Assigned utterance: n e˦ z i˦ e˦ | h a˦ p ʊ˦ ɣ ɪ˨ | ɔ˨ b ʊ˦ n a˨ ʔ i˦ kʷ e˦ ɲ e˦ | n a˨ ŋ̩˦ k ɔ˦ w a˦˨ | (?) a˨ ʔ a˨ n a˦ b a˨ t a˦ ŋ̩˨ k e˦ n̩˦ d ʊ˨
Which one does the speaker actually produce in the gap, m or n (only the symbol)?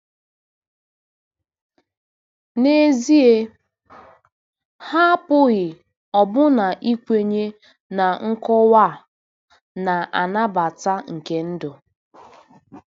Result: n